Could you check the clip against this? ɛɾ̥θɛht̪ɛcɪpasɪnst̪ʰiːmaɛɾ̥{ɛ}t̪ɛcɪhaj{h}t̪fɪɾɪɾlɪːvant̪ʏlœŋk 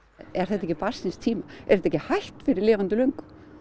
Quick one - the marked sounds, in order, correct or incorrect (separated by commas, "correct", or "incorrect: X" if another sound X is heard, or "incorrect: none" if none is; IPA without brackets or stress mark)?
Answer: correct, correct